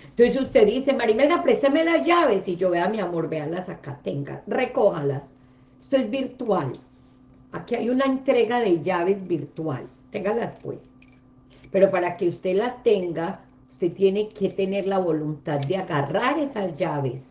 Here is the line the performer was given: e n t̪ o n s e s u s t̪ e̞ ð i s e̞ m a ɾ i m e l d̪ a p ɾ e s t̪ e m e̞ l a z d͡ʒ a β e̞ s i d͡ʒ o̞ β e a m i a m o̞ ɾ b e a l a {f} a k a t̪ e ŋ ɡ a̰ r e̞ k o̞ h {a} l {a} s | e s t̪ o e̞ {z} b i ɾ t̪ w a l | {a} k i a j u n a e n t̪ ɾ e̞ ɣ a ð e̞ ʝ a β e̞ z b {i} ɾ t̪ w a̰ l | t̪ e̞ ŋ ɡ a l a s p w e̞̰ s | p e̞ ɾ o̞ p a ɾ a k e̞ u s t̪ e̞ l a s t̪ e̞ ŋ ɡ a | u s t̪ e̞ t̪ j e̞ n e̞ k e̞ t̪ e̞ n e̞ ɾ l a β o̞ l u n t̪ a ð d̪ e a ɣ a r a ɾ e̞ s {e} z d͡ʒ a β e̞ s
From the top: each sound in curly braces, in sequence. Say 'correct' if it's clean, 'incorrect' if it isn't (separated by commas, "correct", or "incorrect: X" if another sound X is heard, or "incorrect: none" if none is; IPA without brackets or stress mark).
incorrect: s, correct, correct, correct, correct, correct, incorrect: a